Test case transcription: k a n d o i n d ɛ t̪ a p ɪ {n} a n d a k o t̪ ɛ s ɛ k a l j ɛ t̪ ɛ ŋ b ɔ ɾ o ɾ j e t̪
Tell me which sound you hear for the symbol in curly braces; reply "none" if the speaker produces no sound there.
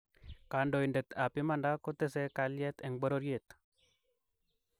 m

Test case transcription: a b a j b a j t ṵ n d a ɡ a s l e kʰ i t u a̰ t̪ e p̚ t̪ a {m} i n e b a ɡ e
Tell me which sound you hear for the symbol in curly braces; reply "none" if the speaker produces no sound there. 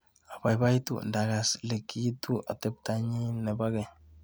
ɲ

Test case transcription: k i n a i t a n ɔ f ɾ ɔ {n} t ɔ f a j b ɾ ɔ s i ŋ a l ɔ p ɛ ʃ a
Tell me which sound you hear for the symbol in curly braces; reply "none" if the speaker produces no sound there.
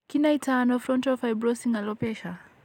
n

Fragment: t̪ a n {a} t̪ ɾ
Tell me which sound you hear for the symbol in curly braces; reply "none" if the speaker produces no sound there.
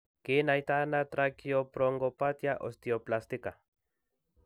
a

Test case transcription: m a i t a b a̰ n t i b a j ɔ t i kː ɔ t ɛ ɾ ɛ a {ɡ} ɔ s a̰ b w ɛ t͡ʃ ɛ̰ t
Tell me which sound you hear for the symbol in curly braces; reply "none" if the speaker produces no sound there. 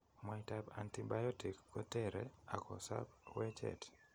k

